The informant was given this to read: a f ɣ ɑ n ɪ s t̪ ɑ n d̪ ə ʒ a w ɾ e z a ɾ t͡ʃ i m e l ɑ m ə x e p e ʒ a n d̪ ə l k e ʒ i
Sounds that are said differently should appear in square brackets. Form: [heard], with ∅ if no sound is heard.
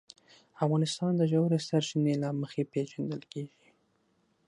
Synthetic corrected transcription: a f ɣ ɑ n ɪ s t̪ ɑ n d̪ ə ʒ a w ɾ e [s] a ɾ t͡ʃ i [n] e l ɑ m ə x e p e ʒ a n d̪ ə l k e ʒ i